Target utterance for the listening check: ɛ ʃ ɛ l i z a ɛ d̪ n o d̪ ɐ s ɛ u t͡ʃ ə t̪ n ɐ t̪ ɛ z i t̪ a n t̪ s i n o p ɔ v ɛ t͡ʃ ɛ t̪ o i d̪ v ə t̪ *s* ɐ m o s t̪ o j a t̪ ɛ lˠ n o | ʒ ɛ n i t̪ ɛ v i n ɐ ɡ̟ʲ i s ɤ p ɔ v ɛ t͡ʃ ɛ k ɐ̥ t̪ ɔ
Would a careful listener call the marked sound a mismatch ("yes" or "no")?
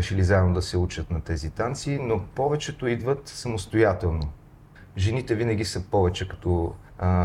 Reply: no